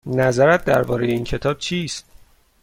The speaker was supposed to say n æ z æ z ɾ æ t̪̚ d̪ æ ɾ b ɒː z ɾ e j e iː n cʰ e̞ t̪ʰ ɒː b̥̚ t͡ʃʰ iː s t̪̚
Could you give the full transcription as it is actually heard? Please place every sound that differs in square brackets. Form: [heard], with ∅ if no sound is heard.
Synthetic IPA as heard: n æ z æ [∅] ɾ æ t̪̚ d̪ æ ɾ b ɒː [∅] ɾ e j e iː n cʰ e̞ t̪ʰ ɒː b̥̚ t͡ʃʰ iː s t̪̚